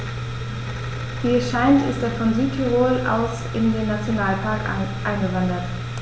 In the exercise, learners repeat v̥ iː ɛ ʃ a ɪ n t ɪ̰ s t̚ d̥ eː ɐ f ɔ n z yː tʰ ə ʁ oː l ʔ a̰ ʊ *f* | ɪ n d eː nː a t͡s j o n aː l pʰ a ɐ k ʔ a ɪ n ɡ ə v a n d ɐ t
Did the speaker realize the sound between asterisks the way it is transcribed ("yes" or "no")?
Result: no